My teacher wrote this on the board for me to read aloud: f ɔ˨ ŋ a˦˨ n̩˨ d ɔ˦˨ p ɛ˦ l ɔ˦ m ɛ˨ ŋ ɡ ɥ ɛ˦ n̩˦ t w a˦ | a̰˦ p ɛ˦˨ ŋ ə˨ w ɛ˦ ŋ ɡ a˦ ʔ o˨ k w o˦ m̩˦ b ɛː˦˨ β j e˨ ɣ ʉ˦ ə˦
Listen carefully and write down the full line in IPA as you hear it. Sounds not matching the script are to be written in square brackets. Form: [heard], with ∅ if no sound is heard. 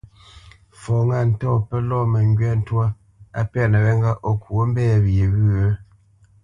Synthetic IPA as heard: f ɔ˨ ŋ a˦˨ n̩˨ [t] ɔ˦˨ p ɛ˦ l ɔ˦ m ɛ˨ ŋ ɡ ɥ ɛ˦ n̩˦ t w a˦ | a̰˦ p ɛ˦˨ [n] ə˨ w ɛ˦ ŋ ɡ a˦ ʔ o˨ k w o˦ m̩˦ b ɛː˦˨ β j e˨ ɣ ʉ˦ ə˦

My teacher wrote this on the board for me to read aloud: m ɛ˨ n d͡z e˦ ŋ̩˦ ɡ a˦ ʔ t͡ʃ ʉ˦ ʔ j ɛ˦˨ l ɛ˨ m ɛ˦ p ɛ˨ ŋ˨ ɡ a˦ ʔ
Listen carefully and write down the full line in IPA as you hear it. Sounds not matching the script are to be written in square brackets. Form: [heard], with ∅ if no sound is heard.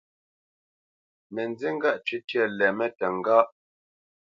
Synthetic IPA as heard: m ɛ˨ n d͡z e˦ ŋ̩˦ ɡ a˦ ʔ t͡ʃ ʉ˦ [t] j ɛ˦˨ l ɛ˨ m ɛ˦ [t] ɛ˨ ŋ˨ ɡ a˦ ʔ

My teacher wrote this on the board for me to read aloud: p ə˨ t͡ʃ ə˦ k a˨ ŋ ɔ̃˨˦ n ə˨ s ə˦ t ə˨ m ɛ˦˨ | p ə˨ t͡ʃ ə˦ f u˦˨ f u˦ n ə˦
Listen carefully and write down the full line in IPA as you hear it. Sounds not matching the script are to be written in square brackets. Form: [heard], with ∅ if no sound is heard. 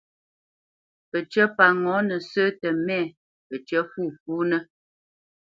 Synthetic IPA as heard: p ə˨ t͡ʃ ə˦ [p] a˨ ŋ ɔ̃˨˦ n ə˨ s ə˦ t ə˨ m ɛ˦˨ | p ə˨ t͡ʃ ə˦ f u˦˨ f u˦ n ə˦

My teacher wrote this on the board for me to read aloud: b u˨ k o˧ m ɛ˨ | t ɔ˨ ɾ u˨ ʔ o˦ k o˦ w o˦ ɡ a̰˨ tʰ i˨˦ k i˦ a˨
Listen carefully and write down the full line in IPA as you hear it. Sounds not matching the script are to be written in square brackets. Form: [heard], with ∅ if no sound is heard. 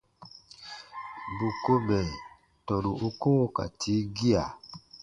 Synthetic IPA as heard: b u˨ k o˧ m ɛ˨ | t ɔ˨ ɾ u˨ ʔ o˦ k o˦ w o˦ [k] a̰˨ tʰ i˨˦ [ɡ] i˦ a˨

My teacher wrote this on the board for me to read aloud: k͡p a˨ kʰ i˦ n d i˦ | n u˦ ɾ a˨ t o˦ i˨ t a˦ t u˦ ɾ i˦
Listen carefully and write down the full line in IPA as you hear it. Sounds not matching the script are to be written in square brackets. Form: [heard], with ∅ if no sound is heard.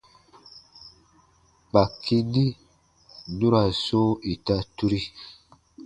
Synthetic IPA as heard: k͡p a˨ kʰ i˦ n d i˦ | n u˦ ɾ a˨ [s] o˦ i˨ t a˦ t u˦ ɾ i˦

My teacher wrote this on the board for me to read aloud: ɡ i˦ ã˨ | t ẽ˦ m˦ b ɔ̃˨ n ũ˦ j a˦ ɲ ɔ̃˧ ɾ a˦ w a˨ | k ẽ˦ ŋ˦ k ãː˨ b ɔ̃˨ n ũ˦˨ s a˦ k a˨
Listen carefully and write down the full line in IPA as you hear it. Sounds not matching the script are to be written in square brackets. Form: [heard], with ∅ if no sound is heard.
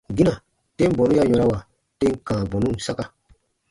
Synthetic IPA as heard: ɡ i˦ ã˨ | t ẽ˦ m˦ b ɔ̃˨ n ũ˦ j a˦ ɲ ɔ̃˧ ɾ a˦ w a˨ | [t] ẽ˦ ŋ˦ k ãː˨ b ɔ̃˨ n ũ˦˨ s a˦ k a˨

